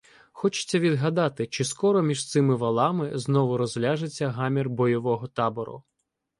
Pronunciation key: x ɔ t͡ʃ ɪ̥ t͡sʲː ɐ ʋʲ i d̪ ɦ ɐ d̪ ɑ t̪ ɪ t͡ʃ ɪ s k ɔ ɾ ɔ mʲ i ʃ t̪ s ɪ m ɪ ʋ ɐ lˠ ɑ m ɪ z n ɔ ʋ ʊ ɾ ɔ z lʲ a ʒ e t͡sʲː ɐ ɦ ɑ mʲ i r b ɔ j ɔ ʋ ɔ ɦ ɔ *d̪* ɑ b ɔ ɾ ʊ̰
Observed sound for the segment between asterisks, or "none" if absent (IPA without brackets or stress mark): t̪